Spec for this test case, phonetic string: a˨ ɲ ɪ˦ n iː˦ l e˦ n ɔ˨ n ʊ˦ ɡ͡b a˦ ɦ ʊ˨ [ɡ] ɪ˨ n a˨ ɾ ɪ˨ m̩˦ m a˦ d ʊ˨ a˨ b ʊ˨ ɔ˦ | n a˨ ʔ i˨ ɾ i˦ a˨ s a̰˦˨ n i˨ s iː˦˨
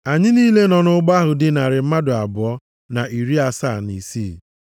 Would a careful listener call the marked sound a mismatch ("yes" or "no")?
yes